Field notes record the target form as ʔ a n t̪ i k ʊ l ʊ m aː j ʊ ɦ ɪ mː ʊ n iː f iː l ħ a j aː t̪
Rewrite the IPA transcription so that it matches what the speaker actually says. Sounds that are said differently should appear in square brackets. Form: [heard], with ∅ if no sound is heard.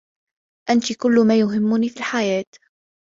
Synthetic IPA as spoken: ʔ a n t̪ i k ʊ [lː] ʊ m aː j ʊ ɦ ɪ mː ʊ n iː f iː l ħ a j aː t̪